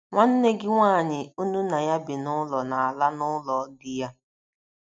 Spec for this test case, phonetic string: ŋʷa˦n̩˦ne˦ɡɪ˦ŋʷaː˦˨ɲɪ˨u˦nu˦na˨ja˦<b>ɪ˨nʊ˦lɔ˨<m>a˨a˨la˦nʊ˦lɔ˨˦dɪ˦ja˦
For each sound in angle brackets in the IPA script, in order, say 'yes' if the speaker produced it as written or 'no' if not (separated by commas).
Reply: yes, no